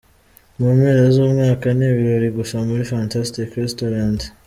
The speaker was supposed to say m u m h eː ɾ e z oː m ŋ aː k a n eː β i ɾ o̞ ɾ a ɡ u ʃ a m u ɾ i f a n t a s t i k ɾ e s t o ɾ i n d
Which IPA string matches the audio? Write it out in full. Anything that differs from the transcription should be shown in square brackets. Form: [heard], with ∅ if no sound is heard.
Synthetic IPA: m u m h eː ɾ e z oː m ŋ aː k a n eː β i ɾ o̞ ɾ [i] ɡ u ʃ a m u ɾ i f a n t a s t i k ɾ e s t o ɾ [a] n d